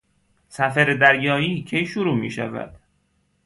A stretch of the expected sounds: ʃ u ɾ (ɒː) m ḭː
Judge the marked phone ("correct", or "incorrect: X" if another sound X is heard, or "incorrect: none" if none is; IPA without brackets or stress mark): incorrect: uː